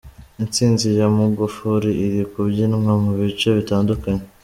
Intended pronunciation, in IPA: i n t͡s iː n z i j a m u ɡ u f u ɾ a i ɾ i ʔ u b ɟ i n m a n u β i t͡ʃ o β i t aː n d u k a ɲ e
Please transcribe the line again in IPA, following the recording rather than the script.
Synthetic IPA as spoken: i n t͡s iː n z i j a m u ɡ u f u ɾ i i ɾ i k u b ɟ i n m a m u β i t͡ʃ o β i t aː n d u k a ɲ e